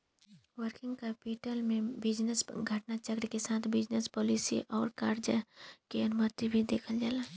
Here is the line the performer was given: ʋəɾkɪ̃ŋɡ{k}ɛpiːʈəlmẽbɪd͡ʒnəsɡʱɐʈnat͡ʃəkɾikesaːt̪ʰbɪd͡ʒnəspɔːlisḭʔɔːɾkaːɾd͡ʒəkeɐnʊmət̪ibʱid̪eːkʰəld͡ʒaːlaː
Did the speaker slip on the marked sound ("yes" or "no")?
no